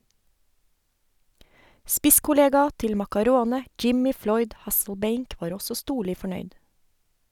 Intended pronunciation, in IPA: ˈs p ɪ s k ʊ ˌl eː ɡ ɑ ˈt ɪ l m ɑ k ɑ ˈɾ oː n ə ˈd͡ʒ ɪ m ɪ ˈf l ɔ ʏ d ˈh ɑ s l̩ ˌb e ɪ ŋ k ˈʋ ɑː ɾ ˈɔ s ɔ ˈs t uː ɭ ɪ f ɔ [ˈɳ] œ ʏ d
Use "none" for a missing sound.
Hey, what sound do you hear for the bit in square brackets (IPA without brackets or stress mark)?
ɳ